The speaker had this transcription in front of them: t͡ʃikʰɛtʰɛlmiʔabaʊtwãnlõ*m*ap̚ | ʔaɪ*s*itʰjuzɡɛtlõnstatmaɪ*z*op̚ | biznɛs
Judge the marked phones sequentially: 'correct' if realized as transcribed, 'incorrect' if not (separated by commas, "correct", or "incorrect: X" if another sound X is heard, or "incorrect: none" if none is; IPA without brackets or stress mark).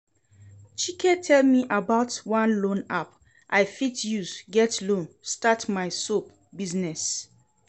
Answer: incorrect: n, incorrect: f, incorrect: s